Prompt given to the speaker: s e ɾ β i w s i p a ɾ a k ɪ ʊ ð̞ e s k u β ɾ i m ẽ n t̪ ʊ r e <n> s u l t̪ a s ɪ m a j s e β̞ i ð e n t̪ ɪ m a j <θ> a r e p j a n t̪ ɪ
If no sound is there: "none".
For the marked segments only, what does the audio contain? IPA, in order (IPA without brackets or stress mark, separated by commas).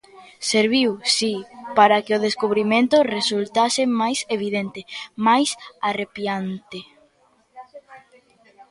none, s